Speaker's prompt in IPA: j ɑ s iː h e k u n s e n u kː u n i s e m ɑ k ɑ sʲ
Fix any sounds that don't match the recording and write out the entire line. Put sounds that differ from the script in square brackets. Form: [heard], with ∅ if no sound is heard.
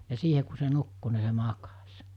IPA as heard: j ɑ s iː h e k u [∅] s e n u kː u n i s e m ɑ k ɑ sʲ

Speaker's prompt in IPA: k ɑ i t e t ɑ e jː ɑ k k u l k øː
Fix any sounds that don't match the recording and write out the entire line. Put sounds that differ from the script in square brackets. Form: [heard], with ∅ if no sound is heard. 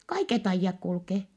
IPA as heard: k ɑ i [k] e t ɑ [i] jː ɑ k k u l k [eː]

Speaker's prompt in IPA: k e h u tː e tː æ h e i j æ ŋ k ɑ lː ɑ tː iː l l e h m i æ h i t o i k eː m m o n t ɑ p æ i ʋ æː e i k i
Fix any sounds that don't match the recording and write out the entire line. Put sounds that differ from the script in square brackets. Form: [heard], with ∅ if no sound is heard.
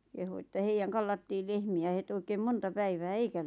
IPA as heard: k e h u [∅] e tː æ h e i j æ ŋ k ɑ lː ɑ tː iː l l e h m i æ h [e] t o i k eː m m o n t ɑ p æ i ʋ æː e i k [æ]

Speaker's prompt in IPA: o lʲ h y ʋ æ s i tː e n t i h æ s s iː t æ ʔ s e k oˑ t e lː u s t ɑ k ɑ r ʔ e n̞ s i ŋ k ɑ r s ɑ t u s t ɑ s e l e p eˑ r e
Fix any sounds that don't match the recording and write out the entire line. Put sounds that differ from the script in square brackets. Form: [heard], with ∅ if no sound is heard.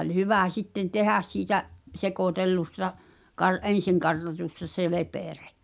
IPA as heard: o lʲ h y ʋ æ s i tː e n t [e] h æ s s iː t æ ʔ s e k oˑ t e lː u s t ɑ k ɑ r ʔ e n̞ s i ŋ k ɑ r [t] ɑ t u s t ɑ s e l e p eˑ r e

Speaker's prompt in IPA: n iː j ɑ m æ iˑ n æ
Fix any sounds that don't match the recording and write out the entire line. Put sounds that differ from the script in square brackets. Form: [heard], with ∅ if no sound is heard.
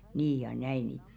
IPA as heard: n iː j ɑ [n] æ iˑ n [i]

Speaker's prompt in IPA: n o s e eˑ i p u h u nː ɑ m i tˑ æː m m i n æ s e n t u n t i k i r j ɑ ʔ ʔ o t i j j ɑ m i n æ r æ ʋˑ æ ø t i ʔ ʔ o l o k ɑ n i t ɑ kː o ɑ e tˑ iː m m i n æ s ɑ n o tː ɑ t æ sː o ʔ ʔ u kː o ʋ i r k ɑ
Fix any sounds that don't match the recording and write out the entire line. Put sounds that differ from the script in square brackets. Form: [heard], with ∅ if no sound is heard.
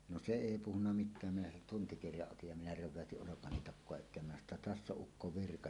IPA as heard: n o s e eˑ i p u h u nː ɑ m i tˑ æː m m i n æ s e n t u n t i k i r j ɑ ʔ ʔ o t i j j ɑ m i n æ r æ ʋˑ æ ø t i ʔ ʔ o l o k ɑ n i t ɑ kː o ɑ e tˑ [eː] m m i n æ s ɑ n o tː ɑ t æ sː o ʔ ʔ u kː o ʋ i r k ɑ

